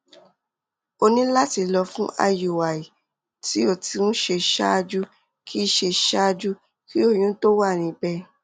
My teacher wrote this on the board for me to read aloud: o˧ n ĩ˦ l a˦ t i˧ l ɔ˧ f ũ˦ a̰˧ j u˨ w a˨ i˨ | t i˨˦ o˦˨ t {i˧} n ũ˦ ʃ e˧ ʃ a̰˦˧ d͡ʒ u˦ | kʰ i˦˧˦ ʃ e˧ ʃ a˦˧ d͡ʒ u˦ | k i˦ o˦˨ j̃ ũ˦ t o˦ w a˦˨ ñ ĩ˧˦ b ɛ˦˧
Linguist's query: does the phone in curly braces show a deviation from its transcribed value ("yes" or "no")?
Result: no